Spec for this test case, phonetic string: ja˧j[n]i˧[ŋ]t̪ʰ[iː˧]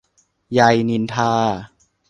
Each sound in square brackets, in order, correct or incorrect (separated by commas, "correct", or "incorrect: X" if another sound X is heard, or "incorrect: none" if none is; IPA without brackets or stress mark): correct, incorrect: n, incorrect: aː˧